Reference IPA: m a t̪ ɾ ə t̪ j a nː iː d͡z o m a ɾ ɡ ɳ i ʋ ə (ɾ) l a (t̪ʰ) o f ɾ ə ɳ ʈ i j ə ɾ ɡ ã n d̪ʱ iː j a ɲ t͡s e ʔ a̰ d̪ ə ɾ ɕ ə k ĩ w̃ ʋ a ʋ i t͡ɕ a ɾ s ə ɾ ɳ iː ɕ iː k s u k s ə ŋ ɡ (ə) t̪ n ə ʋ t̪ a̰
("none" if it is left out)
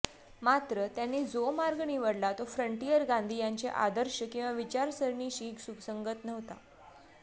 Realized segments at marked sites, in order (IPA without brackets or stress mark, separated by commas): ɽ, t̪, ə